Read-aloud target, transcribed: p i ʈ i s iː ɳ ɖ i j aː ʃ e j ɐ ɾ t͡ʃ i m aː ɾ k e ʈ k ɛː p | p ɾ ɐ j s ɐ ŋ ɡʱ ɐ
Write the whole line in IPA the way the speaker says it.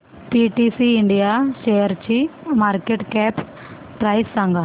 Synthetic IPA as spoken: p i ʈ i s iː ɳ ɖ i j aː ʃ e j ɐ ɾ t͡ʃ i m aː ɾ k e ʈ k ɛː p | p ɾ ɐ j s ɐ ŋ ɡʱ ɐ